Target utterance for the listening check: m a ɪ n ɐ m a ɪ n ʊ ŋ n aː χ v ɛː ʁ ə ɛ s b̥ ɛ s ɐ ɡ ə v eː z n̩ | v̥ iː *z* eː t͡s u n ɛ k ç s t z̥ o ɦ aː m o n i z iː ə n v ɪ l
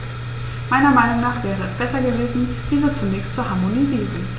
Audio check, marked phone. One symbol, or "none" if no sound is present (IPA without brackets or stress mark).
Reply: z